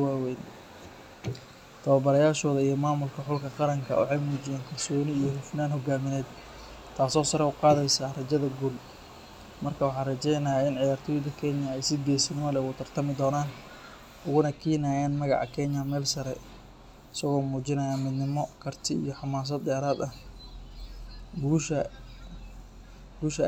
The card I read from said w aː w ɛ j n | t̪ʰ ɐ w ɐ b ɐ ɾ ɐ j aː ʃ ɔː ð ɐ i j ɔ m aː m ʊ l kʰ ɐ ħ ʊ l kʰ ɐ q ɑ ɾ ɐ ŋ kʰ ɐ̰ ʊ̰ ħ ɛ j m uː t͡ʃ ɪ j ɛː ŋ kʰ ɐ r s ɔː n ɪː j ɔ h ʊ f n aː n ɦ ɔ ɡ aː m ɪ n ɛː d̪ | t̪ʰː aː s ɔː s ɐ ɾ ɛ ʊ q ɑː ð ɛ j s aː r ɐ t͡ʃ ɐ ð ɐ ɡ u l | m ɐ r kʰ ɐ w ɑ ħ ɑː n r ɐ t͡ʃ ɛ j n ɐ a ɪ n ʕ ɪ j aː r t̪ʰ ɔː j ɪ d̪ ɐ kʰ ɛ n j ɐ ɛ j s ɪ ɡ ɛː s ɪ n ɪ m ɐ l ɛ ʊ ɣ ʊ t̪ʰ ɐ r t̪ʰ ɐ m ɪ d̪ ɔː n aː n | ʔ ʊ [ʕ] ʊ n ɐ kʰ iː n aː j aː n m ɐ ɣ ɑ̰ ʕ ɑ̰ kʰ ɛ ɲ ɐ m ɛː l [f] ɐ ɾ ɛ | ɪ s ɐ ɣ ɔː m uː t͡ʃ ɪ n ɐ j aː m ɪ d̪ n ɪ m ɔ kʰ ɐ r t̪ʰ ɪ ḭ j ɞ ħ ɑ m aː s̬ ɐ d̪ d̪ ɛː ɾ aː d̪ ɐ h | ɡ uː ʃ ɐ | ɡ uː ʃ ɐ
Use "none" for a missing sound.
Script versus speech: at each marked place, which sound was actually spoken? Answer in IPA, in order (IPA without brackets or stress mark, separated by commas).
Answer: ɣ, s